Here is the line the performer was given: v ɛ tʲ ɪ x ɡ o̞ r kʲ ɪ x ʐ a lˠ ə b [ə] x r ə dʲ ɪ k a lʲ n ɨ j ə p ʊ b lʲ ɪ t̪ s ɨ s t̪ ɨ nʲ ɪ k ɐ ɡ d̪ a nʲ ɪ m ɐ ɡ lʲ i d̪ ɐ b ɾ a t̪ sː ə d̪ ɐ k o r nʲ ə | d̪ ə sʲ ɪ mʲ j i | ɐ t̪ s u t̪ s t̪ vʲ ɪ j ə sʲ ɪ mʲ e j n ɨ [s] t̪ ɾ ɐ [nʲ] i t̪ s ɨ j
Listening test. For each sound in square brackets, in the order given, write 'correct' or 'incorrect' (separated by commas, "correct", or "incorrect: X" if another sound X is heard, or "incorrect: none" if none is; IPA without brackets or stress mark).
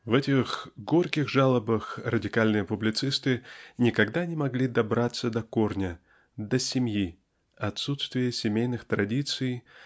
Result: correct, incorrect: x, incorrect: dʲ